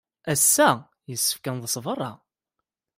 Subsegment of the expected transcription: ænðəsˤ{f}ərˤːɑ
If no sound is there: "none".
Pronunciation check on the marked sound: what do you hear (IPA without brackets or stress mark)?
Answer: v